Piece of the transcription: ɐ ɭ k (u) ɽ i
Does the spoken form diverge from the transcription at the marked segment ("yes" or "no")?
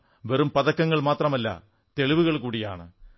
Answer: yes